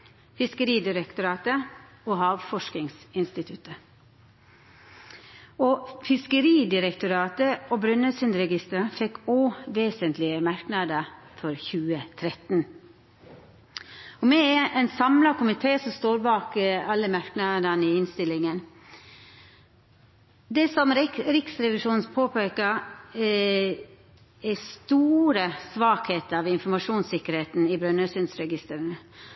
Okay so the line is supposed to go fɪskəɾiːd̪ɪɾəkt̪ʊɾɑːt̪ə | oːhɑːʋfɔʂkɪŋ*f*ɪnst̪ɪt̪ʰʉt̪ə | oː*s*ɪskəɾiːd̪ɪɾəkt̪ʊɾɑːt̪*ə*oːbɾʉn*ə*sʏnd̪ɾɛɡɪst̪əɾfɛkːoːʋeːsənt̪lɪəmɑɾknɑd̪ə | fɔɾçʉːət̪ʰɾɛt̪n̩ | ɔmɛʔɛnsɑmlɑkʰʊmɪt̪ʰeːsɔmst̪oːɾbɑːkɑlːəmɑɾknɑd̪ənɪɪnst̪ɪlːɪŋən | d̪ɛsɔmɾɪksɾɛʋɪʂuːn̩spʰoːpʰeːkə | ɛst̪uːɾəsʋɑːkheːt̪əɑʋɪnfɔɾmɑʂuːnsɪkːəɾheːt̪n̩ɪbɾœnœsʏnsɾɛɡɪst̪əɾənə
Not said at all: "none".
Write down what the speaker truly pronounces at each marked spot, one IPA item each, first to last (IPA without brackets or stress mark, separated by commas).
s, f, ə, ə